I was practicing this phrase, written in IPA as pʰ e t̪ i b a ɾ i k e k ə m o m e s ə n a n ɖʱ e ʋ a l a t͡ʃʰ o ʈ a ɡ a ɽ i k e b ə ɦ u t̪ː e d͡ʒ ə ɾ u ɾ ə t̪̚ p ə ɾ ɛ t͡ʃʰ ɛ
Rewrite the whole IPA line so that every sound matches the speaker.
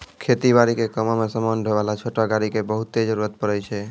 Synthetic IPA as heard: kʰ e t̪ i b a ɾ i k e k ə m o m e s ə m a n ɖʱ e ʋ a l a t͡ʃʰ o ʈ a ɡ a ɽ i k e b ə ɦ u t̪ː e d͡ʒ ə ɾ u ɾ ə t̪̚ p ə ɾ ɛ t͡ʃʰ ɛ